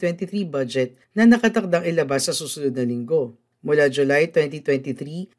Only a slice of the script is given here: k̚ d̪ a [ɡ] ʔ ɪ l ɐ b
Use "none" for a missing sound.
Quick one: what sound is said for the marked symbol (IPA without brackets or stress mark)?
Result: ŋ